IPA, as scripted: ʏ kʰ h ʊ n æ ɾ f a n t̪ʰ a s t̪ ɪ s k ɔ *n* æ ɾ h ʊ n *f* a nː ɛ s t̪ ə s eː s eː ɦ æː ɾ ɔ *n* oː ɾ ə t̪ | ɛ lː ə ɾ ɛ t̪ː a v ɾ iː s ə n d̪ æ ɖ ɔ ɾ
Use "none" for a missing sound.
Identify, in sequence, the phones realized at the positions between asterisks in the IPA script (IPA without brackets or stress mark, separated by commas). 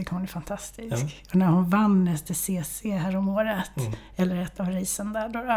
n, v, m